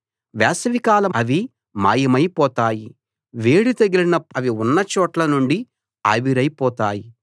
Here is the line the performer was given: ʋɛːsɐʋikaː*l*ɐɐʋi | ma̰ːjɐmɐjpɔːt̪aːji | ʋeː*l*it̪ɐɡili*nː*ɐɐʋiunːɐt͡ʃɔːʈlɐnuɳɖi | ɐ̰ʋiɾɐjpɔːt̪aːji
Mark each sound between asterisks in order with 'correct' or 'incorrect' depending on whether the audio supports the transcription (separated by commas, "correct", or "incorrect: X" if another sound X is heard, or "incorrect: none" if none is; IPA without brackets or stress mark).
correct, incorrect: ɽ, incorrect: n